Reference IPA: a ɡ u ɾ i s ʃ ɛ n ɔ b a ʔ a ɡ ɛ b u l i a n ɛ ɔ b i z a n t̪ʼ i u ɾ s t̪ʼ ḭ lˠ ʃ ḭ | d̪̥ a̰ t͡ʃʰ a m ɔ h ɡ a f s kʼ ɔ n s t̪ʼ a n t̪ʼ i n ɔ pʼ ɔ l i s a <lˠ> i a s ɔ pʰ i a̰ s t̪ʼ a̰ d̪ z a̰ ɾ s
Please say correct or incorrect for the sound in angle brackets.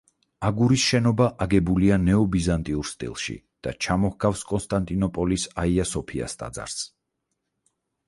incorrect